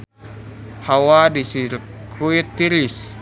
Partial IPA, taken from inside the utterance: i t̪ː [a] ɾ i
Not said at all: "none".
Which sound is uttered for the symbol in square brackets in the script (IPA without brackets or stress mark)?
i